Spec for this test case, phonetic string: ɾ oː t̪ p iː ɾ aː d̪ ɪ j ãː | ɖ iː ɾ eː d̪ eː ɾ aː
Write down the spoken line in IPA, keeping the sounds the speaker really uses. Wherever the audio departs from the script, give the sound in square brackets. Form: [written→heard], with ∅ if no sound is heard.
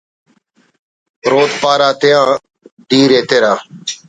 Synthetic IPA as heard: ɾ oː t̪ p [iː→aː] ɾ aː [d̪→t̪] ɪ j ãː | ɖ iː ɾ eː [d̪→t̪] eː ɾ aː